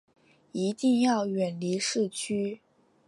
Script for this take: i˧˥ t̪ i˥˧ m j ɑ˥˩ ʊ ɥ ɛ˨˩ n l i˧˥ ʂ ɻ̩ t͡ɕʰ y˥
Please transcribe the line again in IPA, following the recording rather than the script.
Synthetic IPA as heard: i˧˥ t̪ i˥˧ ŋ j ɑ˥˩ ʊ ɥ ɛ˨˩ n l i˧˥ ʂ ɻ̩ t͡ɕʰ y˥